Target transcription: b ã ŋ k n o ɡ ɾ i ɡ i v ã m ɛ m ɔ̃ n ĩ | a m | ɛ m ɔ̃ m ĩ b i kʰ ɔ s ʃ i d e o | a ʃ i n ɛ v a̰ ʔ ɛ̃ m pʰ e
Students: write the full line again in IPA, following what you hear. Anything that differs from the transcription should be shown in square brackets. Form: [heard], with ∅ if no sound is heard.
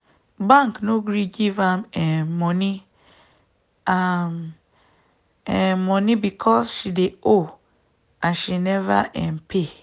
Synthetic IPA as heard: b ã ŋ k n o ɡ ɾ i ɡ i v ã m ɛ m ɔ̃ n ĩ | a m | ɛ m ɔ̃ [n] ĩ b i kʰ ɔ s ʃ i d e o | a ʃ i n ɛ v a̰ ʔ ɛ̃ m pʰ e